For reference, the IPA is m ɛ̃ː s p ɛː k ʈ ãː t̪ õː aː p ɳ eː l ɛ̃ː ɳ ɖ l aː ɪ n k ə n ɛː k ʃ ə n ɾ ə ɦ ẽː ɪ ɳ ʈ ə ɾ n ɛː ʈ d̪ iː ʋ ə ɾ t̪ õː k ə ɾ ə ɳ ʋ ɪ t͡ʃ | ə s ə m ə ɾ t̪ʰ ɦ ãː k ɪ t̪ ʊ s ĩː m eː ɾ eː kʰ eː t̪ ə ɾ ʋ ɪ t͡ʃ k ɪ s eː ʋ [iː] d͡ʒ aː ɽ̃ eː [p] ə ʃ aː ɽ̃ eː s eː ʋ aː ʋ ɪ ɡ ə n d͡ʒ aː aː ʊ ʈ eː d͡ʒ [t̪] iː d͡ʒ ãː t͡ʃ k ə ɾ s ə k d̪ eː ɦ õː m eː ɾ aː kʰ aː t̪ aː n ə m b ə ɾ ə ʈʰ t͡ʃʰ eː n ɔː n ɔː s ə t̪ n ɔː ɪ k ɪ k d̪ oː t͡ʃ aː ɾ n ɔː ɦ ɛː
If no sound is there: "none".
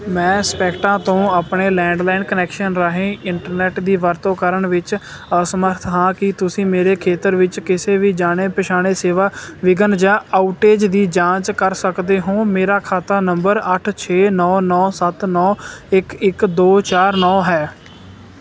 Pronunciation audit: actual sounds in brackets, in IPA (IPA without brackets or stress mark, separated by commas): iː, p, d̪